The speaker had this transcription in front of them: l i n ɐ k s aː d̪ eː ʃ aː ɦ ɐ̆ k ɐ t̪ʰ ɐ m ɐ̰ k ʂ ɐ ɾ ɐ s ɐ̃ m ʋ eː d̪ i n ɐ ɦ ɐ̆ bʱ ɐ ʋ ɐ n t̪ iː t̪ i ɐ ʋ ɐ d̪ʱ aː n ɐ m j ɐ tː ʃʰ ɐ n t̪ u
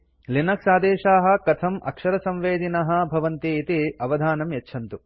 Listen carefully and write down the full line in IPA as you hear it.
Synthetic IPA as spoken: l i n ɐ k s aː d̪ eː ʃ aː ɦ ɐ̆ k ɐ t̪ʰ ɐ m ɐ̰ k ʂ ɐ ɾ ɐ s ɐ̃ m ʋ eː d̪ i n ɐ ɦ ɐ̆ bʱ ɐ ʋ ɐ n t̪ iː t̪ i ɐ ʋ ɐ d̪ʱ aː n ɐ m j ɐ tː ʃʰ ɐ n t̪ u